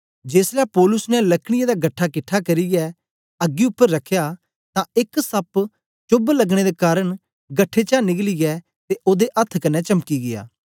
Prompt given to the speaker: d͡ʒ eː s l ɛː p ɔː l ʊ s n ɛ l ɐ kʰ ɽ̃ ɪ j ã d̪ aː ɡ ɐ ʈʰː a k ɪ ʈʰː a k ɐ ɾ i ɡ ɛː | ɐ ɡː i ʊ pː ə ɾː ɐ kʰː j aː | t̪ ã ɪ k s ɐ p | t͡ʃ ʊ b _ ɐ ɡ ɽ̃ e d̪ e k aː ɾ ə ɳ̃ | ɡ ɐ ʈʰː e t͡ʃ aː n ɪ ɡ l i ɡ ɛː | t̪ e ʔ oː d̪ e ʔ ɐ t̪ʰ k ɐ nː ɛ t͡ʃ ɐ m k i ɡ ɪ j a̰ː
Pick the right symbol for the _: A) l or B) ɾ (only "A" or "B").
A